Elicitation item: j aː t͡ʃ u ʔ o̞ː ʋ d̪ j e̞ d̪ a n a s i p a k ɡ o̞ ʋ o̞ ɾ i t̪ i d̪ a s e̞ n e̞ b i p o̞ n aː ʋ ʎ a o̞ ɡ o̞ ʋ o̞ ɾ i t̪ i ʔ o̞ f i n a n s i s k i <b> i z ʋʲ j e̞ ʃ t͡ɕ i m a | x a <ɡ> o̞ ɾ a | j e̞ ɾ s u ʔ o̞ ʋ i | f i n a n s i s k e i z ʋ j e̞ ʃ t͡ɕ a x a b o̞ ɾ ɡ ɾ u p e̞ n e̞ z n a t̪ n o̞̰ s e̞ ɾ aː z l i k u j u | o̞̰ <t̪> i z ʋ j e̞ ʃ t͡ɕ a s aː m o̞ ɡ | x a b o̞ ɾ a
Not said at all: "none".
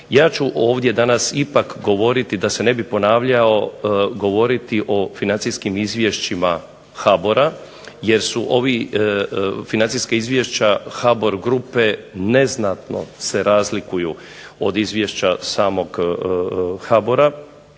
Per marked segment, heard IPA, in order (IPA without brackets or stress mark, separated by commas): m, b, d̪